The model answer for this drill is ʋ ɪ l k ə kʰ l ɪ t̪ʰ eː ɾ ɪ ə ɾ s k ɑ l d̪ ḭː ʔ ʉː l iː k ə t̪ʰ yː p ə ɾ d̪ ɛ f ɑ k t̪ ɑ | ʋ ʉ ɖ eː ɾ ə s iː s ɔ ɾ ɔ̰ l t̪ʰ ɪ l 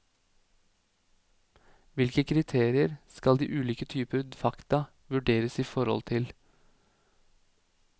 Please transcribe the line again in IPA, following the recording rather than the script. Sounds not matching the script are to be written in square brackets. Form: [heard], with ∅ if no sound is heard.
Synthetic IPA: ʋ ɪ l k ə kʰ [ɾ] ɪ t̪ʰ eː ɾ ɪ ə ɾ s k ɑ l d̪ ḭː ʔ ʉː l iː k ə t̪ʰ yː p ə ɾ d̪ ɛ f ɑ k t̪ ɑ | ʋ ʉ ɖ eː ɾ ə s iː [f] ɔ ɾ ɔ̰ l t̪ʰ ɪ l